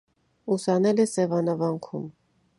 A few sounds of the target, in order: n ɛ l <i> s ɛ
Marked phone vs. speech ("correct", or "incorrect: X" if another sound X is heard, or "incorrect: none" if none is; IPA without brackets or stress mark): incorrect: ɛ